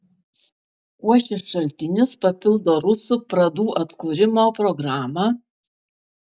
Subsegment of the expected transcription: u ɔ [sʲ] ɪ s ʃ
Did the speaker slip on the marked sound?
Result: yes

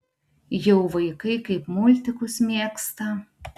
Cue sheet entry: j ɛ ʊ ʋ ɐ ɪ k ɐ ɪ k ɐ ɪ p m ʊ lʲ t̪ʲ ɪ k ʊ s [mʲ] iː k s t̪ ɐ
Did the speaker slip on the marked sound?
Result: no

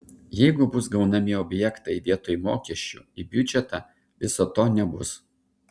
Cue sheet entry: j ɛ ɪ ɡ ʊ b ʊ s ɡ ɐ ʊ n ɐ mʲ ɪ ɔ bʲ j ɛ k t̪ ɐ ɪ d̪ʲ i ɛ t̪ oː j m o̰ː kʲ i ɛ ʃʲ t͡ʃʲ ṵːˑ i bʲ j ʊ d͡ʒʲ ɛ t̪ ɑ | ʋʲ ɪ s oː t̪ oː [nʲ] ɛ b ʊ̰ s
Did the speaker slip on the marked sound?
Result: no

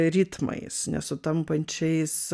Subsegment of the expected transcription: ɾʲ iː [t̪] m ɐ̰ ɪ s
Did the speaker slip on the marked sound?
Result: no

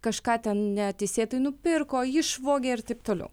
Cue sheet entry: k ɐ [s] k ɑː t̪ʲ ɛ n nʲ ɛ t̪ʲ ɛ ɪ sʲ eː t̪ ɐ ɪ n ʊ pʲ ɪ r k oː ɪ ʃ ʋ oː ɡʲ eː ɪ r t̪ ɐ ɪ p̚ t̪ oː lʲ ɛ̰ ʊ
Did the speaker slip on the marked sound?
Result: yes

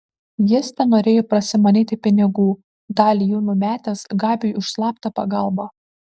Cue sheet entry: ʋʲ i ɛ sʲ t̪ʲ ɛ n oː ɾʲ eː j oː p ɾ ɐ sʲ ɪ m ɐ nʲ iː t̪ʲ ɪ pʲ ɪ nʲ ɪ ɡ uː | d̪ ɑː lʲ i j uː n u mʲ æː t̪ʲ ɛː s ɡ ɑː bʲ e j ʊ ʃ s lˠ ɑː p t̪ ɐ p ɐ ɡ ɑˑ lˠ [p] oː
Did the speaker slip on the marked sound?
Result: yes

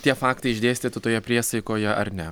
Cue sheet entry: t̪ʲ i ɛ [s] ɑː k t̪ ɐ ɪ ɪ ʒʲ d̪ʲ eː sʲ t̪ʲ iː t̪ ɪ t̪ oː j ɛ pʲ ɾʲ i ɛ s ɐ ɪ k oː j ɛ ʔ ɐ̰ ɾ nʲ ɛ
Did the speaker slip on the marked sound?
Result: yes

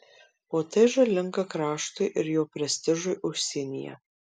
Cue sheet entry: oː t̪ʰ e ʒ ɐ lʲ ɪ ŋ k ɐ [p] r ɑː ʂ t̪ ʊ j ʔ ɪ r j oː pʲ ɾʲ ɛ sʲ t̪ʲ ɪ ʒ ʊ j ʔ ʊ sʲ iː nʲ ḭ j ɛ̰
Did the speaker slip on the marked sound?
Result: yes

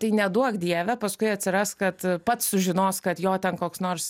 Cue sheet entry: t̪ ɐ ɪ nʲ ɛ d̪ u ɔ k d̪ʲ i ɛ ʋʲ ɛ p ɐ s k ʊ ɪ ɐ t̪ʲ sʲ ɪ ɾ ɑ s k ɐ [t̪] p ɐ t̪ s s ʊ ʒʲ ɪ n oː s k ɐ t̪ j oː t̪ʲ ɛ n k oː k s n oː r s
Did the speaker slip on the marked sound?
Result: no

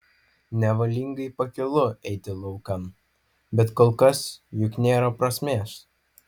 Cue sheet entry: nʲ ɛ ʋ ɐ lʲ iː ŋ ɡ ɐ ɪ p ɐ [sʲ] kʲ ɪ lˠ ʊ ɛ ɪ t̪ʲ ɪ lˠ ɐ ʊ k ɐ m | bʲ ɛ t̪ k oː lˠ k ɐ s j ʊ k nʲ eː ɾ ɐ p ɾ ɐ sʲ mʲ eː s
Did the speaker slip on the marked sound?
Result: yes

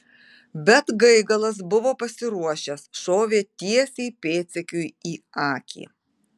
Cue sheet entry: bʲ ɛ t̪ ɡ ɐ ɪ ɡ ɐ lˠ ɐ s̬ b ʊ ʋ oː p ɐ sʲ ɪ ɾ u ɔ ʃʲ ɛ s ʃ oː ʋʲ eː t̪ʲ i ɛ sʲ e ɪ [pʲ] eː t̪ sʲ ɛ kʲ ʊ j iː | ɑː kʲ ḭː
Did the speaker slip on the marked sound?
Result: no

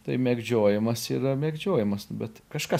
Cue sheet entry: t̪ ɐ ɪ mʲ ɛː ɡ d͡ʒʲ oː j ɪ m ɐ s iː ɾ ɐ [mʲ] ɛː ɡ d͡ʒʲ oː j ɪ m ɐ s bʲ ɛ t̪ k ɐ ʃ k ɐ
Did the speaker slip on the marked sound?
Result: no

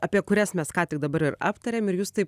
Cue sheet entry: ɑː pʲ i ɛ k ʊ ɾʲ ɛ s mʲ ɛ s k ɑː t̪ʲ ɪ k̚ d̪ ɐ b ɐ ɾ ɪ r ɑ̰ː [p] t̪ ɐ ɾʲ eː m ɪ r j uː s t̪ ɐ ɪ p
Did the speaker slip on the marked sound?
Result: no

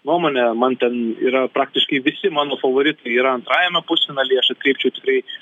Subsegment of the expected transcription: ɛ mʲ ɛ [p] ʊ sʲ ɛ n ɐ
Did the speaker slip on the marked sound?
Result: no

